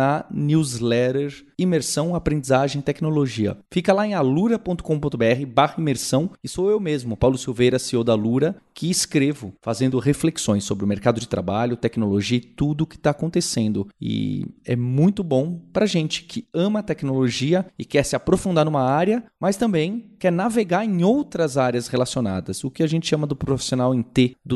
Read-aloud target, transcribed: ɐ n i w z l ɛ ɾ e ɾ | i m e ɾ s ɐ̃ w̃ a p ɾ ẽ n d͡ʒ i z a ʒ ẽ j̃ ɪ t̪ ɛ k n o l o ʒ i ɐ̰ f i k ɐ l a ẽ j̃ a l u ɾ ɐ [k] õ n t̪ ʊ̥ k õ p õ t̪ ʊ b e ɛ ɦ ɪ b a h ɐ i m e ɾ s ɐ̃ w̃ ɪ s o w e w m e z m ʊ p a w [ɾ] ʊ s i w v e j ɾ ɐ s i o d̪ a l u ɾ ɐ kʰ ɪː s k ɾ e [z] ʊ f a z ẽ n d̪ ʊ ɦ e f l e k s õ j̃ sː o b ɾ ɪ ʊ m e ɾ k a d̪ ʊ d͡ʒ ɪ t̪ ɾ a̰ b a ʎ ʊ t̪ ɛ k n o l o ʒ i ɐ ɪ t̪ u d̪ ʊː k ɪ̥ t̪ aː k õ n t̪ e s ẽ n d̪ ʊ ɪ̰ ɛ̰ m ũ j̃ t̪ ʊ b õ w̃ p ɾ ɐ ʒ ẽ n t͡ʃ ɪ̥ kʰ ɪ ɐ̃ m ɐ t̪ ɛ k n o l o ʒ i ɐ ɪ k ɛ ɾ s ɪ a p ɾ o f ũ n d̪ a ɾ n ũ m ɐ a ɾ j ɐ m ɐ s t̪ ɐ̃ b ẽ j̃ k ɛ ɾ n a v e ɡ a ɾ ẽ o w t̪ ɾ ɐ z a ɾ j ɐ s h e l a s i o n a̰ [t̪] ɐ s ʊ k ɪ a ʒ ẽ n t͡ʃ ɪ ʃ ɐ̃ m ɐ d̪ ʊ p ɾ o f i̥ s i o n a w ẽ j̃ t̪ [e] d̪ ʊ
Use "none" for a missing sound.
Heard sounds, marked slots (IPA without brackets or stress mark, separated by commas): p, l, v, d̪, e